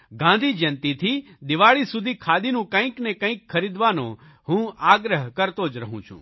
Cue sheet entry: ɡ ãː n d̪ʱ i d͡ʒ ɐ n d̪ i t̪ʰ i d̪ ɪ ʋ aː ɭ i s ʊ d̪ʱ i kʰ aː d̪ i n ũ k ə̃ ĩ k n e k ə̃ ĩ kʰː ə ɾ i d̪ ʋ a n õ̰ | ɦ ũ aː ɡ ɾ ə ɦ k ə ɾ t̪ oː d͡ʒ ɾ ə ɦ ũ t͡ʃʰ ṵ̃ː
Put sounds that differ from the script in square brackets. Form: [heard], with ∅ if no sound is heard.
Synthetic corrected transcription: ɡ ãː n d̪ʱ i d͡ʒ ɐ n [t̪] i t̪ʰ i d̪ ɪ ʋ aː ɭ i s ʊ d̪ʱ i kʰ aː d̪ i n ũ k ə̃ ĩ k n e k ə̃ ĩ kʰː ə ɾ i d̪ ʋ a n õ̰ | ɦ ũ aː ɡ ɾ ə ɦ k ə ɾ t̪ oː d͡ʒ ɾ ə ɦ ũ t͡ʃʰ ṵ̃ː